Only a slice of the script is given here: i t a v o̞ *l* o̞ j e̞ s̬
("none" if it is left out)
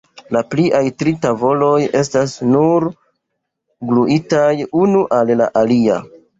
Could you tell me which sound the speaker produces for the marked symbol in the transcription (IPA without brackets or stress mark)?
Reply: l